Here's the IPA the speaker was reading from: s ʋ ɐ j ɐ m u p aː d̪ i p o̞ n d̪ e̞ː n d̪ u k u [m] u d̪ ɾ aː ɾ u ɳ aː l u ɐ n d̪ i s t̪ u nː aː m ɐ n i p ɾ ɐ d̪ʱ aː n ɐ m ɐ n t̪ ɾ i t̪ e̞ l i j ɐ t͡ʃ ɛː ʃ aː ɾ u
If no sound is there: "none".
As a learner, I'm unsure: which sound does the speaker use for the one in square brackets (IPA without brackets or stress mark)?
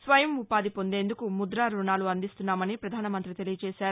m